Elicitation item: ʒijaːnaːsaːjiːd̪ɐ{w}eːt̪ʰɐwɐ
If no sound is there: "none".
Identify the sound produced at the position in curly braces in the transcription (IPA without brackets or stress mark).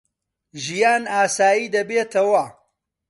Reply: b